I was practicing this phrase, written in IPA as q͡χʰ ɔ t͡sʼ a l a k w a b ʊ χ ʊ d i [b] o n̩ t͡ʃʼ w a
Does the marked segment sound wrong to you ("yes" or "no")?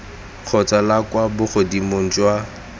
yes